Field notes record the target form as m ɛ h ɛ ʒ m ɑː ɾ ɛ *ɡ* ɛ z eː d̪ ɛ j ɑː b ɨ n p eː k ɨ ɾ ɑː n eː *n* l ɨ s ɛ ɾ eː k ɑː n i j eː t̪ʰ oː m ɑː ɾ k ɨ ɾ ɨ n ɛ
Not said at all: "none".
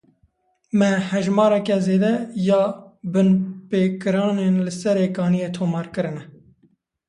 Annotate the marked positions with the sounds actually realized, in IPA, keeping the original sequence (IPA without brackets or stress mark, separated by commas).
k, n